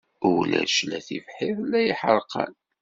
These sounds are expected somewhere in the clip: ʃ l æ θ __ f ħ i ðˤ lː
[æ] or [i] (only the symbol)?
i